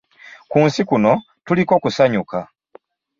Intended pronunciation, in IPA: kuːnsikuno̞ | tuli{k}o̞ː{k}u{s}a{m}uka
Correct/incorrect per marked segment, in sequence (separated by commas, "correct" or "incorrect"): correct, correct, correct, incorrect